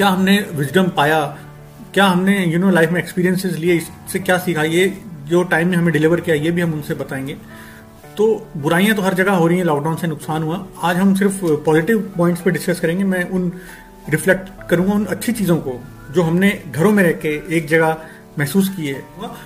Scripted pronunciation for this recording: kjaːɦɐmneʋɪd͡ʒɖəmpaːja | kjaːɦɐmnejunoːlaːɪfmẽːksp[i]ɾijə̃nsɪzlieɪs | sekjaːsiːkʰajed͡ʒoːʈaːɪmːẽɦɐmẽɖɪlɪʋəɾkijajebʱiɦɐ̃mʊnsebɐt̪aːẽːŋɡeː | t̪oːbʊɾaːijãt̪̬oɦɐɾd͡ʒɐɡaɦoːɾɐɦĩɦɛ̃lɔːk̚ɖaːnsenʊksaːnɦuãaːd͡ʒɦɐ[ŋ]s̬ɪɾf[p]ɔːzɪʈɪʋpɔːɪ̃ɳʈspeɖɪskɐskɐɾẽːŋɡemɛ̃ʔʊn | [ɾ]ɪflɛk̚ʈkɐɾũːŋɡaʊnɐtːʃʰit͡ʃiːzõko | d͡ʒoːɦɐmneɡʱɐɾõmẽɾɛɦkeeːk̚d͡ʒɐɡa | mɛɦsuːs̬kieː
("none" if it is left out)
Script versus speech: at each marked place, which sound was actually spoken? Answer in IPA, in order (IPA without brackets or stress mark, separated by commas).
iː, m, p, ɾ